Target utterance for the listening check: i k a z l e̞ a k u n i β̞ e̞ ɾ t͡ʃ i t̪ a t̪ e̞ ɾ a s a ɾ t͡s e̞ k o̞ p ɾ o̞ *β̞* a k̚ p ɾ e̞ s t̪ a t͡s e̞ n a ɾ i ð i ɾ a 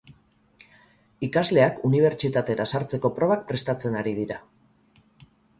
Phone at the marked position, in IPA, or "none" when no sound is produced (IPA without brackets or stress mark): β̞